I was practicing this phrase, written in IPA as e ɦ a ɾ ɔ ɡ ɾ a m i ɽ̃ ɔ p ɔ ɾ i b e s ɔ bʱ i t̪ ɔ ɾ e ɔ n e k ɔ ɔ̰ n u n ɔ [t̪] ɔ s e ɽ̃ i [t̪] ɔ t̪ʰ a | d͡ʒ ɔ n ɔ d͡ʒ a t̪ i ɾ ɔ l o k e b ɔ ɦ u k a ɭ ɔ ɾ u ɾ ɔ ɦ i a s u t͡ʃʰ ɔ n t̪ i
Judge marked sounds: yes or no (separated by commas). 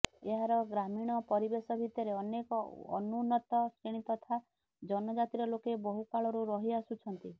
yes, yes